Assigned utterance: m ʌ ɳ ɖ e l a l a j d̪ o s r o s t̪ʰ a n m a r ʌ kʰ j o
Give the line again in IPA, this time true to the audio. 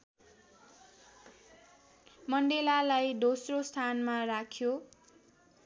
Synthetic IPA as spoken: m ʌ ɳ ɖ e l a l a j d̪ o s r o s t̪ʰ a n m a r a kʰ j o